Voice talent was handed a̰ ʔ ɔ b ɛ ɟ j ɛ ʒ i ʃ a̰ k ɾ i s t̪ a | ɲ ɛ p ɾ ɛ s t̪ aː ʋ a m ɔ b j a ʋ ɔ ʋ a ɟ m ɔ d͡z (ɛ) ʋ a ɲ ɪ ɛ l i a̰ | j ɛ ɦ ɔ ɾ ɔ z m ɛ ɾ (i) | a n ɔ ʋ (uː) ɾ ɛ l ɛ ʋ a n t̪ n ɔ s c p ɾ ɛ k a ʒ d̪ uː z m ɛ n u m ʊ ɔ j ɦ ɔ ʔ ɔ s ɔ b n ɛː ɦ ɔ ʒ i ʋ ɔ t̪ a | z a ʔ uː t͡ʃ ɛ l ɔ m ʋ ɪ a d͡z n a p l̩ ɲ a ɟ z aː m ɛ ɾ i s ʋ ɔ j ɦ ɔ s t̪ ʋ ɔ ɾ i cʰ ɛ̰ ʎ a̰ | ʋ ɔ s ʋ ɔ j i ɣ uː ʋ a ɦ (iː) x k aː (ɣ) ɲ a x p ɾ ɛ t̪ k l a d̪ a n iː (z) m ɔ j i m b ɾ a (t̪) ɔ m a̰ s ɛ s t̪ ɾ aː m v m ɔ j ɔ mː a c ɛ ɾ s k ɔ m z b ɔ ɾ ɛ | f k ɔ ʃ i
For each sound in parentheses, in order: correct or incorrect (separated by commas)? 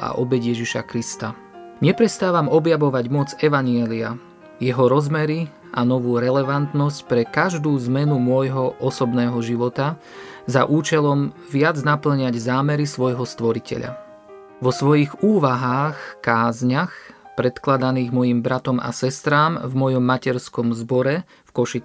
correct, correct, correct, incorrect, incorrect, incorrect, correct